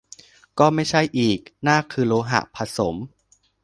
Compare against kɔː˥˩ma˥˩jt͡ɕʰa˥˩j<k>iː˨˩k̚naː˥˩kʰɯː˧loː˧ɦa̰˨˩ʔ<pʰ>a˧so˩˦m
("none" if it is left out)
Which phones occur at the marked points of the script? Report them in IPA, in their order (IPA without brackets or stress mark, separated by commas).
ʔ, pʰ